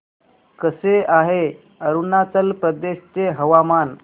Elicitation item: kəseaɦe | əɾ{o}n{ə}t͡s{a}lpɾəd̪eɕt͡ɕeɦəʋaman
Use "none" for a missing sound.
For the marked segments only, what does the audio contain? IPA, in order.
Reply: u, a, ə

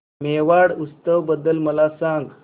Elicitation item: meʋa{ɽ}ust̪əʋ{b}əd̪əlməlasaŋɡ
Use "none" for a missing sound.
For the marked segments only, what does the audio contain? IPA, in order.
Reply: ɽ, b

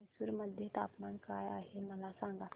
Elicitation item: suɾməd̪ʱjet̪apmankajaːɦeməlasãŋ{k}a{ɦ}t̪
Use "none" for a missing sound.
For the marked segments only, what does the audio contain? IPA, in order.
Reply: ɡ, none

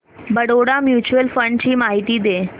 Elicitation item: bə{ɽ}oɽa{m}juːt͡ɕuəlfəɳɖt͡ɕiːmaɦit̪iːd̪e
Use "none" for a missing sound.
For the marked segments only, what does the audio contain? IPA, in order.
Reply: ɽ, m

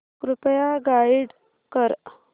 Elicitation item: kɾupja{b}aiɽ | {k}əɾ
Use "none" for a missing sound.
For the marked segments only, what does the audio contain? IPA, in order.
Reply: ɡ, k

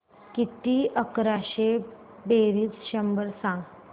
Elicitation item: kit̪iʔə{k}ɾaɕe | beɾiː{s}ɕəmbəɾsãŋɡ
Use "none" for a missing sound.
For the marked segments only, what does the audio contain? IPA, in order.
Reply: k, t͡s

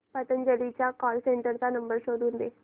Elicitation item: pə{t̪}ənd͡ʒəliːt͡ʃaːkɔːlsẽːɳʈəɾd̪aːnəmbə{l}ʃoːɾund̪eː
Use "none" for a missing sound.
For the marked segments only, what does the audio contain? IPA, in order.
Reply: t̪, ɾ

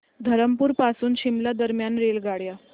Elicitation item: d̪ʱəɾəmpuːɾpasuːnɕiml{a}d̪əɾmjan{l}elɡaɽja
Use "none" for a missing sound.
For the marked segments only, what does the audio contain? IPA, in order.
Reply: a, ɾ

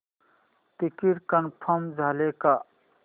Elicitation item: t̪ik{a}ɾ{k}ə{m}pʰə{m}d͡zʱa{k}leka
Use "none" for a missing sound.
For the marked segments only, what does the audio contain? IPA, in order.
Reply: i, k, n, m, none

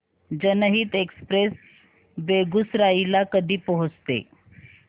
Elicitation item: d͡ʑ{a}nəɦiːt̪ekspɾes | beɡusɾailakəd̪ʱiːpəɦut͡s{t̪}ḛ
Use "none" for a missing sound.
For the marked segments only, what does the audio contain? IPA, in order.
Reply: ə, t̪

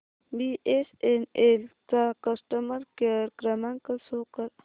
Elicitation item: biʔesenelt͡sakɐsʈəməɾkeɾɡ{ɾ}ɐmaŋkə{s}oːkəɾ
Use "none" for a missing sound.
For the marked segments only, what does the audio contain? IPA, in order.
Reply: ɾ, s

